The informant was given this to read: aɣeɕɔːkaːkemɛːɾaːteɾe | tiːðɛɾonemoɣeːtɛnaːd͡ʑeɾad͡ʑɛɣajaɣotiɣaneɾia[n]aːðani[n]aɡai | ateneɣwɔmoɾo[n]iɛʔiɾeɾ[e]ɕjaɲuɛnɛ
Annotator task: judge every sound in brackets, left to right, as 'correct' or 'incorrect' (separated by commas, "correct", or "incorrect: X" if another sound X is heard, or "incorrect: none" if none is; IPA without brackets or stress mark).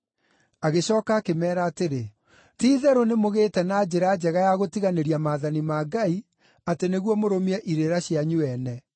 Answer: incorrect: m, incorrect: m, incorrect: m, incorrect: a